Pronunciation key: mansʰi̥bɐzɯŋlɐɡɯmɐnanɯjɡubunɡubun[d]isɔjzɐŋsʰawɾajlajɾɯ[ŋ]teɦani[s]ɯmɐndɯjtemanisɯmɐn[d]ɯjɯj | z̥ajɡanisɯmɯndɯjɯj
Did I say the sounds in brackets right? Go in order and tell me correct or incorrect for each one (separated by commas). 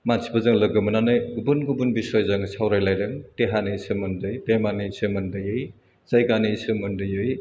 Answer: incorrect, correct, correct, correct